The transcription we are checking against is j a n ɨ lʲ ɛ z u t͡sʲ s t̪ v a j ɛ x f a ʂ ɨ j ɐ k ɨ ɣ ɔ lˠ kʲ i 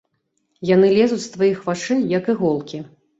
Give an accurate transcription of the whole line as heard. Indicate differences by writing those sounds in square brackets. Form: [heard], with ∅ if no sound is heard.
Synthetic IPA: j a n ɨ lʲ ɛ z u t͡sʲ s t̪ v a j [i] x [v] a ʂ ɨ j ɐ k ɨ ɣ ɔ lˠ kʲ i